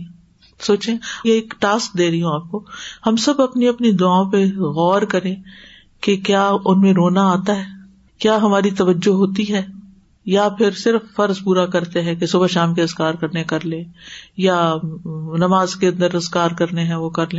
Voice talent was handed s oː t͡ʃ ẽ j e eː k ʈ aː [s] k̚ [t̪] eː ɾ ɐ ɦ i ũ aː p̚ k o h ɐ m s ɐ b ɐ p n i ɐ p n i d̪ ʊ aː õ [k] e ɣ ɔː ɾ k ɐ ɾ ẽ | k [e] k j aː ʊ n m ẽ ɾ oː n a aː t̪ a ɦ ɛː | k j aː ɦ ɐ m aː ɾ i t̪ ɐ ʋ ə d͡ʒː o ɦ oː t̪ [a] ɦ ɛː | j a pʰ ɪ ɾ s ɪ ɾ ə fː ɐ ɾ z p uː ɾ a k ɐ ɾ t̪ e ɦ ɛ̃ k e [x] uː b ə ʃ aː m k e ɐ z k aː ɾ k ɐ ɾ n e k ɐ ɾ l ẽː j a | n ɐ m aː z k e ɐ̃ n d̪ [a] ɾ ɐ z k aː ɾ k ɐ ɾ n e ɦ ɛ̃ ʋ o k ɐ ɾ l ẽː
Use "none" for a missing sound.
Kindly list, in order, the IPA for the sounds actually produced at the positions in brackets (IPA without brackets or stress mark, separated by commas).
s, d̪, p, e, i, s, ə